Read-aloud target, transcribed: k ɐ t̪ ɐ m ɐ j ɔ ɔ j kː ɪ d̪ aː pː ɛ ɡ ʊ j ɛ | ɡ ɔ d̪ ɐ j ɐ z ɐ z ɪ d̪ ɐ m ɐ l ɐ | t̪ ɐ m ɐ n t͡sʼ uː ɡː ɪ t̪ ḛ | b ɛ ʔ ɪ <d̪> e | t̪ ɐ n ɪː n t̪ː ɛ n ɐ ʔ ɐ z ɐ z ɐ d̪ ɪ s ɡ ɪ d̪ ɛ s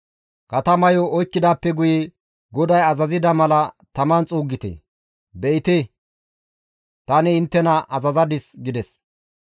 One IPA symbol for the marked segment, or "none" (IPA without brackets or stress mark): t̪